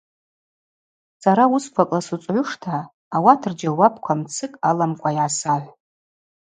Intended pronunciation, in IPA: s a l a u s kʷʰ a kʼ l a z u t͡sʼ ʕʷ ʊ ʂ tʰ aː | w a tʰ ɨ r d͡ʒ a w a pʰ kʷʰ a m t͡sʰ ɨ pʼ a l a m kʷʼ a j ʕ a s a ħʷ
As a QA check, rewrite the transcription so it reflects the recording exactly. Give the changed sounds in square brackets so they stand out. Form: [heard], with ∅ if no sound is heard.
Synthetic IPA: s a [ɾ] a u s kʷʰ a kʼ l a [s] u t͡sʼ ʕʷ ʊ ʂ tʰ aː | w a tʰ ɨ r d͡ʒ a w a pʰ kʷʰ a m t͡sʰ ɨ [kʼ] a l a m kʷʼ a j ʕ a s a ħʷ